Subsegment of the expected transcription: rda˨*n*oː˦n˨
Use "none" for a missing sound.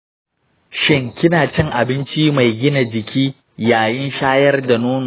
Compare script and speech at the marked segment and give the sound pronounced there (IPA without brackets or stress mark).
n